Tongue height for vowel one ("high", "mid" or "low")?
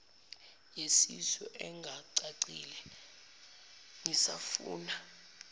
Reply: mid